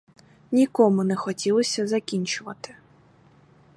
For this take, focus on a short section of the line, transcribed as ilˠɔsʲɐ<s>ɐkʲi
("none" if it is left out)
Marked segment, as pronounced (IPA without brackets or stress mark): z